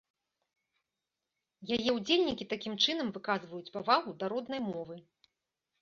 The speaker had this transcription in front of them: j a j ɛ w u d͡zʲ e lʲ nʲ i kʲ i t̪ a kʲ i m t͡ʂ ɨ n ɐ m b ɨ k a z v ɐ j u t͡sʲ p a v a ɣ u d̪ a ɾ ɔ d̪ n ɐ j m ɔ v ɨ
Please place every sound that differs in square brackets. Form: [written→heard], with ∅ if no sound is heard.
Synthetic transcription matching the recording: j a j ɛ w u d͡zʲ e lʲ nʲ i kʲ i t̪ a kʲ i m t͡ʂ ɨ n ɐ m [b→v] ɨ k a z v ɐ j u t͡sʲ p a v a ɣ u d̪ a ɾ ɔ d̪ n ɐ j m ɔ v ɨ